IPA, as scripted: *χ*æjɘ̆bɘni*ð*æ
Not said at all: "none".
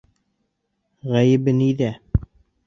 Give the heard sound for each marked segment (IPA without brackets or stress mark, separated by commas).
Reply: ʁ, ð